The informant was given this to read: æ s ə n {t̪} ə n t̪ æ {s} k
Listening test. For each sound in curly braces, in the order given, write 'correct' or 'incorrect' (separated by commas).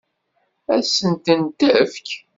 correct, incorrect